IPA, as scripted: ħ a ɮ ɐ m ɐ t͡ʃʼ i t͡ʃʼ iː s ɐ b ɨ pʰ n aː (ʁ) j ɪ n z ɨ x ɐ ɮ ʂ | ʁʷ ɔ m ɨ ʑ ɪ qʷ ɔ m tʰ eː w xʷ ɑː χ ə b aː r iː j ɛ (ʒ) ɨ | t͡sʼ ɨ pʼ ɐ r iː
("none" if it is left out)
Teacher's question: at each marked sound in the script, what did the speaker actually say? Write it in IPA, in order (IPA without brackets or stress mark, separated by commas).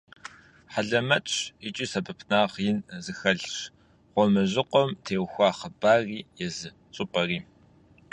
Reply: ʁ, z